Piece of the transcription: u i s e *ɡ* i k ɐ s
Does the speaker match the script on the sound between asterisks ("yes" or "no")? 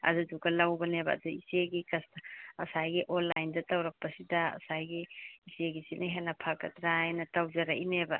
yes